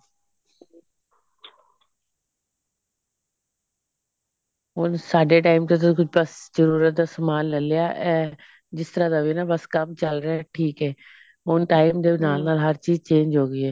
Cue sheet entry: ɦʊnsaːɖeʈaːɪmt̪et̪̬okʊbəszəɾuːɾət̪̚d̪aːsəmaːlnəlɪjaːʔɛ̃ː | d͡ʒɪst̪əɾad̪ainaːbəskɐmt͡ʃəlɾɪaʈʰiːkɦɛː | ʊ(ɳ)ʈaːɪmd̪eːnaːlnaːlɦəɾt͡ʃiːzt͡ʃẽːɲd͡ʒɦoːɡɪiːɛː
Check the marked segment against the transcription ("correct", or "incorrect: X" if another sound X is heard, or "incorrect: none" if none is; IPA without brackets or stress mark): incorrect: n